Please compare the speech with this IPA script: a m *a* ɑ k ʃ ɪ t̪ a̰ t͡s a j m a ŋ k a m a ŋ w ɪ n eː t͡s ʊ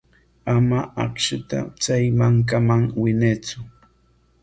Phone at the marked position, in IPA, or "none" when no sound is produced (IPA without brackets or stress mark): a